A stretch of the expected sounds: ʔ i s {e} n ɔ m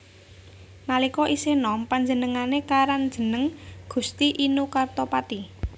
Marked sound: correct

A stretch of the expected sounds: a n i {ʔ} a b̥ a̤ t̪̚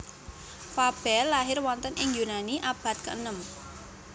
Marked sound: correct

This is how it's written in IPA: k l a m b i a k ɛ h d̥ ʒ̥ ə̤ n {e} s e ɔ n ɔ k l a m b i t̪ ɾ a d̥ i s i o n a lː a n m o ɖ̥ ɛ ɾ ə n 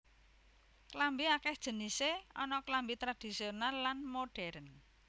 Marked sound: incorrect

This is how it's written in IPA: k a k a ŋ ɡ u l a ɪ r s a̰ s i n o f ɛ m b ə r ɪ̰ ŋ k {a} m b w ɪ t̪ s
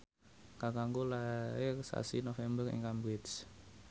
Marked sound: correct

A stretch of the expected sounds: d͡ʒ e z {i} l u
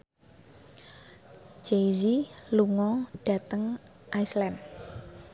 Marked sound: correct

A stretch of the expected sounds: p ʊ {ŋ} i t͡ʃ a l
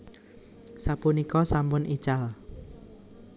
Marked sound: incorrect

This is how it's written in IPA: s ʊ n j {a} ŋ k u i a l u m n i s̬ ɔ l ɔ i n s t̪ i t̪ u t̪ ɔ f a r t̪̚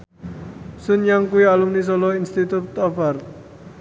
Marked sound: correct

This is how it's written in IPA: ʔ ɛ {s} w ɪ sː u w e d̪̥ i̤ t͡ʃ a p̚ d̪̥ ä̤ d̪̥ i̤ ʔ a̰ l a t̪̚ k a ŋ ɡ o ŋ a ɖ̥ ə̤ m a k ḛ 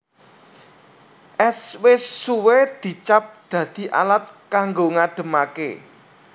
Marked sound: correct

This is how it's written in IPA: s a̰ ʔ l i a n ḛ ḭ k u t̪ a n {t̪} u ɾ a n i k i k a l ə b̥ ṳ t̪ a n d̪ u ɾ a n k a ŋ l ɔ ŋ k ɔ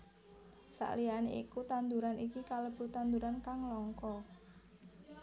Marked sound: incorrect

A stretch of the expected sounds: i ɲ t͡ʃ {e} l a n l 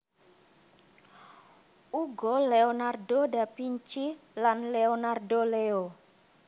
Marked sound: incorrect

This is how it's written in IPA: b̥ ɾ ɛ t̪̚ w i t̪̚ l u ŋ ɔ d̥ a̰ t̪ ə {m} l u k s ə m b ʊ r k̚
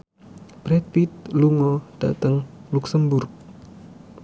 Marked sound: incorrect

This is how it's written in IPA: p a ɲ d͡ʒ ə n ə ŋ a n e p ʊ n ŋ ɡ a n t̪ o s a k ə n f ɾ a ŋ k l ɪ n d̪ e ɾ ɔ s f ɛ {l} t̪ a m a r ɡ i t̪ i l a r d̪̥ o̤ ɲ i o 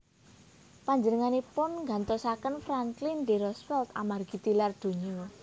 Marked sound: correct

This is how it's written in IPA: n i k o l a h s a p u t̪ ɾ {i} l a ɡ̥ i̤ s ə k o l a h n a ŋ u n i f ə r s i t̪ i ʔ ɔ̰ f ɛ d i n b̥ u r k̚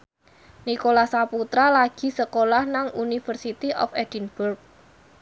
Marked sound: incorrect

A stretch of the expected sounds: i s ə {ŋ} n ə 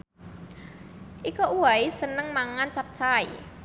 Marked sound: incorrect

